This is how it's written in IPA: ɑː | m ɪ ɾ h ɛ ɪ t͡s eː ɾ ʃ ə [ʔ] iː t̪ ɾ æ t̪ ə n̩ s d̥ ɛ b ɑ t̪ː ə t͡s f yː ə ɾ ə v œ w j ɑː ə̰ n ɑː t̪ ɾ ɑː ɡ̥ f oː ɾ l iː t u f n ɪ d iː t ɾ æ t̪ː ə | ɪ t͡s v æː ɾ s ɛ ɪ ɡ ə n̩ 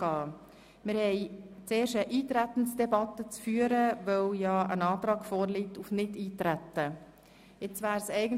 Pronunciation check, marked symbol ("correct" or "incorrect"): correct